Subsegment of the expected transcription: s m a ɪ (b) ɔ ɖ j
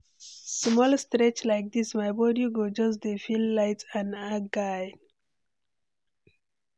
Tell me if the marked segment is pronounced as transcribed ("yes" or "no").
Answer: yes